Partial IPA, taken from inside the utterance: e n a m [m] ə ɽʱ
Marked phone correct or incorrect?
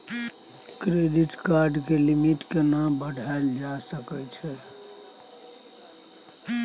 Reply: incorrect